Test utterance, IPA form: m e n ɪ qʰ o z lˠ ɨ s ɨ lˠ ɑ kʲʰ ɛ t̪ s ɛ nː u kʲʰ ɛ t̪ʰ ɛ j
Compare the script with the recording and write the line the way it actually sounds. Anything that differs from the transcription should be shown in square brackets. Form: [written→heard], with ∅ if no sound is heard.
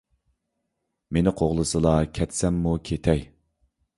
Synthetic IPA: m e n ɪ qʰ o [z→ʁ] lˠ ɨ s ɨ lˠ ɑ kʲʰ ɛ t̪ s ɛ [nː→mː] u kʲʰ [ɛ→e] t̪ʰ ɛ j